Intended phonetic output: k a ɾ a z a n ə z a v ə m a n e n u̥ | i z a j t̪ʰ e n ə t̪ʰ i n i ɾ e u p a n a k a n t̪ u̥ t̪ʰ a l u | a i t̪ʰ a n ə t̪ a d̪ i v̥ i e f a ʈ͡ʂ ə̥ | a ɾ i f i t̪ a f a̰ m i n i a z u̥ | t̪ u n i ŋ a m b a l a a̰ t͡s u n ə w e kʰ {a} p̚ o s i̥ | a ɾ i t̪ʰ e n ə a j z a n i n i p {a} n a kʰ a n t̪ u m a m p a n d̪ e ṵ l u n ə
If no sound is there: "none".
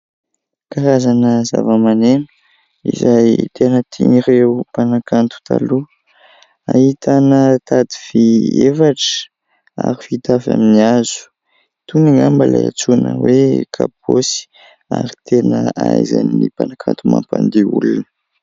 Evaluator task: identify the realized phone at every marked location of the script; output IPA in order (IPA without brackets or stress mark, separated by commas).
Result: a, a